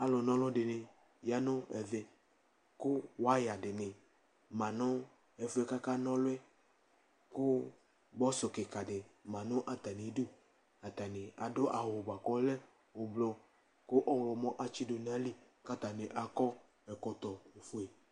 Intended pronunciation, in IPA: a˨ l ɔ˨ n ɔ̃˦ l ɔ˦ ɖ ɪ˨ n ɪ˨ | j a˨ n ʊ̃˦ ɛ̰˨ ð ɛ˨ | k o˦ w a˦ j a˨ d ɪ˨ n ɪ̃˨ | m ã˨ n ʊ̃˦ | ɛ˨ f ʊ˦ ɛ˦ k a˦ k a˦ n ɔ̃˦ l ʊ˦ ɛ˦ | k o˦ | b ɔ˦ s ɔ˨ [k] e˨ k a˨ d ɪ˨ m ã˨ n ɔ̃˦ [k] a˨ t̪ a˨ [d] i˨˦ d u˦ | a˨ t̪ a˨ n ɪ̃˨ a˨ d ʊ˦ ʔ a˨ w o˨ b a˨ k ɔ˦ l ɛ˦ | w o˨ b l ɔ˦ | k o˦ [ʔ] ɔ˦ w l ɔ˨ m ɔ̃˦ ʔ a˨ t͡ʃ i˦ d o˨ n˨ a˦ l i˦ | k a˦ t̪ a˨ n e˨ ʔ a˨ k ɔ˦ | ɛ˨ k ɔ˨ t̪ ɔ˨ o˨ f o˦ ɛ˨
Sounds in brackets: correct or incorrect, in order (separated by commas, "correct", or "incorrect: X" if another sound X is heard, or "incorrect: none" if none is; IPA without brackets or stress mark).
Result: correct, incorrect: ʔ, incorrect: n, correct